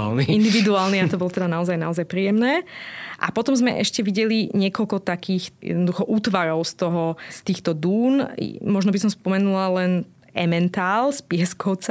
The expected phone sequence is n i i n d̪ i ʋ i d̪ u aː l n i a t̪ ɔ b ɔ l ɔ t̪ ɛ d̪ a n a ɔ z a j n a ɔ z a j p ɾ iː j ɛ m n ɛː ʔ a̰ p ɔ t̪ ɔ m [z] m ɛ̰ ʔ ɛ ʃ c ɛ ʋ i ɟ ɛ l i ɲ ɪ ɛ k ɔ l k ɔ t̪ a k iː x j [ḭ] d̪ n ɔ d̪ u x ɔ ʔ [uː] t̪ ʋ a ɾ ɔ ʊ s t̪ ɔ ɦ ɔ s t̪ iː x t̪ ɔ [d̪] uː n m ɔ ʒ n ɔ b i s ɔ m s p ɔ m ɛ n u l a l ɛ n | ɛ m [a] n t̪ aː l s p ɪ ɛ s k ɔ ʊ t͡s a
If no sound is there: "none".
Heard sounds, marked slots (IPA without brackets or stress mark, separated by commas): z, ɛ̰, uː, d̪, ɛ